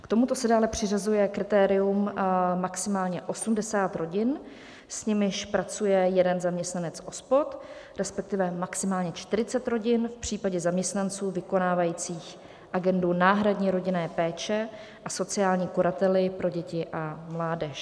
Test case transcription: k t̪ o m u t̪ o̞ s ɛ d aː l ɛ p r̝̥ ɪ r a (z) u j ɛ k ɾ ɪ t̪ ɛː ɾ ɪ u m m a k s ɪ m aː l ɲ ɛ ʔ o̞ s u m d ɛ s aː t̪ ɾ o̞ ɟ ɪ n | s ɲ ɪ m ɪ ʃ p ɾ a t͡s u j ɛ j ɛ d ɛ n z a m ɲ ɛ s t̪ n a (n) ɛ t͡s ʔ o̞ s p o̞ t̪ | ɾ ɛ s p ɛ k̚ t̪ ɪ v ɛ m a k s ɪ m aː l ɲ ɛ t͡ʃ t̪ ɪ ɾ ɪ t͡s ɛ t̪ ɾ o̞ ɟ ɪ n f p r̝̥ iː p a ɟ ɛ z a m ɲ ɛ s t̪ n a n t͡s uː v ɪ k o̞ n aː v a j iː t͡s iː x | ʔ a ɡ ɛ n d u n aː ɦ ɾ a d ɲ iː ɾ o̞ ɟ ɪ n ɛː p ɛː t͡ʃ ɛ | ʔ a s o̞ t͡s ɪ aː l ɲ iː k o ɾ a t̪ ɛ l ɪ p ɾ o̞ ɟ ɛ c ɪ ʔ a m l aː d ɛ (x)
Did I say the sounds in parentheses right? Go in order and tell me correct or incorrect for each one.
correct, correct, incorrect: ʃ

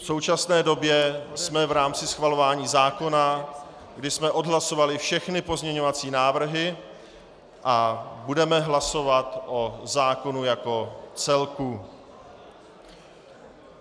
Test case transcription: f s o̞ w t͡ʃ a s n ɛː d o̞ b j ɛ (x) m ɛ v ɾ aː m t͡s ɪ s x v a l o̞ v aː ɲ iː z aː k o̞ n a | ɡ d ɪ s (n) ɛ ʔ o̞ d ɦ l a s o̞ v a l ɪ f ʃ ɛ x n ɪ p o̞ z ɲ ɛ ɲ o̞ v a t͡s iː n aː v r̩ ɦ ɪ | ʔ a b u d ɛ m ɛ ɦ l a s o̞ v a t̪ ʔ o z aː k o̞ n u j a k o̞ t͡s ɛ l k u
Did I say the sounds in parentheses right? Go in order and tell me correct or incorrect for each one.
incorrect: s, incorrect: m

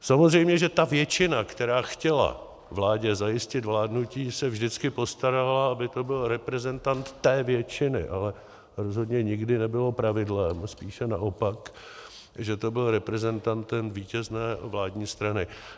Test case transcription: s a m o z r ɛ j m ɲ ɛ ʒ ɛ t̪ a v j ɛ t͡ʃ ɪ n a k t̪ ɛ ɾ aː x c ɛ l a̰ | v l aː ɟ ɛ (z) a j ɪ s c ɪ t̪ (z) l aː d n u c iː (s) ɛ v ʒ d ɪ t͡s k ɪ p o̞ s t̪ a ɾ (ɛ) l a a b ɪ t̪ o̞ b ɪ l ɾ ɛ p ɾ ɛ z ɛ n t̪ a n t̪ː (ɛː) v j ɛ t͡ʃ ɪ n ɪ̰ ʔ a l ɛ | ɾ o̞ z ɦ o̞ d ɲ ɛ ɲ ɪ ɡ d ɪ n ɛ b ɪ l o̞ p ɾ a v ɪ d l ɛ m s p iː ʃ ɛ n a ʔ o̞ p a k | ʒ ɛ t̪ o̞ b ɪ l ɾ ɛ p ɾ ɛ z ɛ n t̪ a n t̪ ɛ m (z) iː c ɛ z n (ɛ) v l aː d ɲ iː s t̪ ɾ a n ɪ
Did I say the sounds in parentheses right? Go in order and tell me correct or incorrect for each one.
correct, incorrect: v, correct, incorrect: a, correct, incorrect: v, incorrect: ɛː

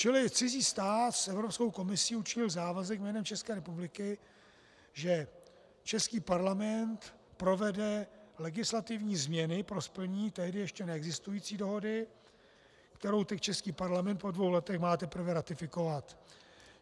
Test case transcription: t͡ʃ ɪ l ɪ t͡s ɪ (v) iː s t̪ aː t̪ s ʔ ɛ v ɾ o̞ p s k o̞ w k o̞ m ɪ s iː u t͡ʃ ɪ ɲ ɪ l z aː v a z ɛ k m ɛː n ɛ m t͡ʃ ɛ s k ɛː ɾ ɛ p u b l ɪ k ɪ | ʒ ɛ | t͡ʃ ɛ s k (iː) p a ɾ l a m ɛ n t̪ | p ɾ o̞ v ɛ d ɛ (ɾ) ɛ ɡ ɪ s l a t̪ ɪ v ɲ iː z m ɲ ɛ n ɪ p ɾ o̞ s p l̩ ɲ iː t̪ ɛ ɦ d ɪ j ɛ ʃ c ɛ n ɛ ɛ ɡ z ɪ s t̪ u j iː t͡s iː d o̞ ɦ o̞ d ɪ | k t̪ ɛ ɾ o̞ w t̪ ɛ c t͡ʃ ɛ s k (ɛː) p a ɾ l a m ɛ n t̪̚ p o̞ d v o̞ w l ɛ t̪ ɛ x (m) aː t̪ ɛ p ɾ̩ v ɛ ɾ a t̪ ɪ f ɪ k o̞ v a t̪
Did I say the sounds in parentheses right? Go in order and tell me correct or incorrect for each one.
incorrect: z, correct, incorrect: l, incorrect: iː, correct

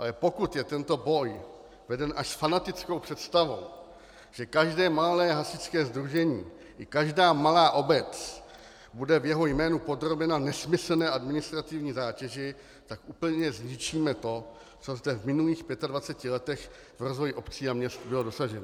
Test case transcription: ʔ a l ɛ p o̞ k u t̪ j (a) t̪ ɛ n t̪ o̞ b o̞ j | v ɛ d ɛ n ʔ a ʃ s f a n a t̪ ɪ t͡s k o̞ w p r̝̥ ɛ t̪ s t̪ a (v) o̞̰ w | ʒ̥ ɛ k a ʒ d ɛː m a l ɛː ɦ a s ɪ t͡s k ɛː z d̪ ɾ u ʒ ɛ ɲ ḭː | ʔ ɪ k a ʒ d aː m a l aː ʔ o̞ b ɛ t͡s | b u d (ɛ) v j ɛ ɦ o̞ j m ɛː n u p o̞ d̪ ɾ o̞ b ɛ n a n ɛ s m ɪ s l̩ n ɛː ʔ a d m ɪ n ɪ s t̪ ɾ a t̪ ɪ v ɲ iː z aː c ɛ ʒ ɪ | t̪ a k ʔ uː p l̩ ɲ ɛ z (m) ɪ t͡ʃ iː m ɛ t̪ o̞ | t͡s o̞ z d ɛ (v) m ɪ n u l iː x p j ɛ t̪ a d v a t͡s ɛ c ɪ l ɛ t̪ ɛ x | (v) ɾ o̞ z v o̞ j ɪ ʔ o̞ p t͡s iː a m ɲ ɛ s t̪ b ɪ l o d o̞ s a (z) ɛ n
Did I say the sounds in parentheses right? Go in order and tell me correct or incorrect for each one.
incorrect: ɛ, correct, correct, incorrect: ɲ, correct, correct, incorrect: ʒ

